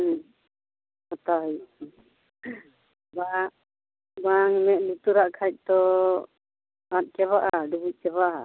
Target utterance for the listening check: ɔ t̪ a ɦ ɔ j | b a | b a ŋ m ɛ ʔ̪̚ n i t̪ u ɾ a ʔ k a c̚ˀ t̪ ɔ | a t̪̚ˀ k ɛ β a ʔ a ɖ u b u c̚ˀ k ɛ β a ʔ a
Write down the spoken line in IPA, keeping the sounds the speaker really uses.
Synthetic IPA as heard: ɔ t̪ a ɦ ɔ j | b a | b a ŋ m ɛ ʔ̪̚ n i t̪ u ɾ a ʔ kʰ a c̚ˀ t̪ ɔ | a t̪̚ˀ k ɛ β a ʔ a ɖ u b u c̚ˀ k ɛ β a ʔ a